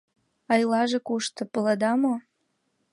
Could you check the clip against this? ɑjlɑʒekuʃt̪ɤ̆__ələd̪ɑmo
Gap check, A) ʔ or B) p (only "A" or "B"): B